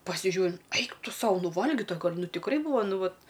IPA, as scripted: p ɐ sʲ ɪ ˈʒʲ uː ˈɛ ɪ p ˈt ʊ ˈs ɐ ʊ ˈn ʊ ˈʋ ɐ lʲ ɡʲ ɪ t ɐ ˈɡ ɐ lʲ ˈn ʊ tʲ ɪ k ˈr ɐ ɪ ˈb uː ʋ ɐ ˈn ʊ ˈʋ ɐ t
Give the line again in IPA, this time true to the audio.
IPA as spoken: p ɐ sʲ ɪ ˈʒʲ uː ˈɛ ɪ k ˈt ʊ ˈs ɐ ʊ ˈn ʊ ˈʋ ɐ lʲ ɡʲ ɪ t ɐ ˈɡ ɐ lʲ ˈn ʊ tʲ ɪ k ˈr ɐ ɪ ˈb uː ʋ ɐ ˈn ʊ ˈʋ ɐ t

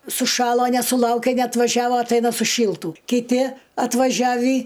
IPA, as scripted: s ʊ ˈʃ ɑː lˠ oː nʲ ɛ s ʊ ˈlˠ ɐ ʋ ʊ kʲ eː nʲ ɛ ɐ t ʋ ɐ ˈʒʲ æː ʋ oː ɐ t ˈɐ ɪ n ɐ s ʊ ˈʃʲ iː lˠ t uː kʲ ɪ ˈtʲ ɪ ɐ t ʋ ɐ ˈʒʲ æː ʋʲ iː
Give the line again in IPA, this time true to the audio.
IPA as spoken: s ʊ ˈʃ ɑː lˠ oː nʲ ɛ s ʊ ˈlˠ ɐ ʊ kʲ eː nʲ ɛ ɐ t ʋ ɐ ˈʒʲ æː ʋ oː ɐ t ˈɐ ɪ n ɐ s ʊ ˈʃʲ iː lˠ t uː kʲ ɪ ˈtʲ ɪ ɐ t ʋ ɐ ˈʒʲ æː ʋʲ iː

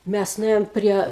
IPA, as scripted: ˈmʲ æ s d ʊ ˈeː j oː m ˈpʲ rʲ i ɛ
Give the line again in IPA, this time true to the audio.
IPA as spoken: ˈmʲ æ s n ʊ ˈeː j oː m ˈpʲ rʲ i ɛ

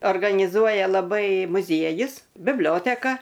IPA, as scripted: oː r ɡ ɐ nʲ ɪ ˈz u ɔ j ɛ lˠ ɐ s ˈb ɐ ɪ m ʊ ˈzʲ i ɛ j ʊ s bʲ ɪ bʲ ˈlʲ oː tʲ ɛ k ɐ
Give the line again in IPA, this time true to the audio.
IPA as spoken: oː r ɡ ɐ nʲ ɪ ˈz u ɔ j ɛ lˠ ɐ ˈb ɐ ɪ m ʊ ˈzʲ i ɛ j ʊ s bʲ ɪ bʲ ˈlʲ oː tʲ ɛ k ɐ

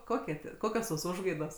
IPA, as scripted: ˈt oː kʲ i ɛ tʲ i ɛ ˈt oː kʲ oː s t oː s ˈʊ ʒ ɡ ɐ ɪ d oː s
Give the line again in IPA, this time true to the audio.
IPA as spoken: ˈk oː kʲ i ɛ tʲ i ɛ ˈk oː kʲ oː s t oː s ˈʊ ʒ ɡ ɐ ɪ d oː s

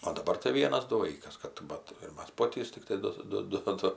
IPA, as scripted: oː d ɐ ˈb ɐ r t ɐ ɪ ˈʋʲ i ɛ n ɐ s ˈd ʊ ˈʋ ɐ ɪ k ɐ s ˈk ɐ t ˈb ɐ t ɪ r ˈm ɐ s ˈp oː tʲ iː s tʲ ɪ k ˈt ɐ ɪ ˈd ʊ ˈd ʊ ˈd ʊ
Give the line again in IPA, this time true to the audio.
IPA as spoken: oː d ɐ ˈb ɐ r t ɐ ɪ ˈʋʲ i ɛ n ɐ s ˈd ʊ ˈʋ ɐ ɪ k ɐ s ˈk ɐ t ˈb ɐ t ɪ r ˈm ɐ s ˈp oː tʲ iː s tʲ ɪ k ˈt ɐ ɪ ˈd ʊ ˈd ʊ ˈd ʊ

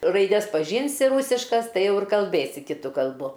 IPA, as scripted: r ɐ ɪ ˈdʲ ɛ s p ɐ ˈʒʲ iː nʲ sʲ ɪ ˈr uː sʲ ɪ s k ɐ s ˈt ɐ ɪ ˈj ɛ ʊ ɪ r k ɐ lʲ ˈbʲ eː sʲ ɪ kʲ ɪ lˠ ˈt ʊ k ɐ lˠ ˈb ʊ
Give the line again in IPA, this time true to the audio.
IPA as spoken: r ɐ ɪ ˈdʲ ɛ s p ɐ ˈʒʲ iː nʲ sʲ ɪ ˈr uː sʲ ɪ ʃ k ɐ s ˈt ɐ ɪ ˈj ɛ ʊ ɪ r k ɐ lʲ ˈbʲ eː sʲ ɪ kʲ ɪ ˈt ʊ k ɐ lˠ ˈb ʊ

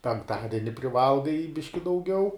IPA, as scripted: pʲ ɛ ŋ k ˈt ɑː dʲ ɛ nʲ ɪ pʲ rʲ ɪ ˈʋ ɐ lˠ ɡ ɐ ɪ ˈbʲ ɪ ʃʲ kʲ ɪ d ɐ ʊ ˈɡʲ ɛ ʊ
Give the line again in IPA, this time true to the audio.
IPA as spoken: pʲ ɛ ŋ k ˈt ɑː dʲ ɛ nʲ ɪ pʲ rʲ ɪ ˈʋ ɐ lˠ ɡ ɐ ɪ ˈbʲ ɪ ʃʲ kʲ ɪ d ɐ ʊ ˈɡʲ ɛ ʊ

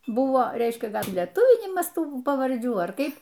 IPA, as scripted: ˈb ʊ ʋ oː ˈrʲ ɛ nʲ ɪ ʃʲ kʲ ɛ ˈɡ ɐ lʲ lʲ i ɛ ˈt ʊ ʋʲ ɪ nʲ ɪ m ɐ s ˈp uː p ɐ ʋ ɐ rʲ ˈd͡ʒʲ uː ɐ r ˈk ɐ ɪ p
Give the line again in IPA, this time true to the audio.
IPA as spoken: ˈb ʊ ʋ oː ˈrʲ ɛ ɪ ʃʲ kʲ ɛ ˈɡ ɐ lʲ lʲ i ɛ ˈt ʊ ʋʲ ɪ nʲ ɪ m ɐ s ˈt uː p ɐ ʋ ɐ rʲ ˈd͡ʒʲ uː ɐ r ˈk ɐ ɪ p

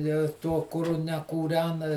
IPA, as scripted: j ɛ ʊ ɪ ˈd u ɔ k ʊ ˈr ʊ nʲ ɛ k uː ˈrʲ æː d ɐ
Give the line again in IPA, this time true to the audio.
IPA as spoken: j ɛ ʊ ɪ ˈt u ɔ k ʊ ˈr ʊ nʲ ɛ k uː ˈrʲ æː n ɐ

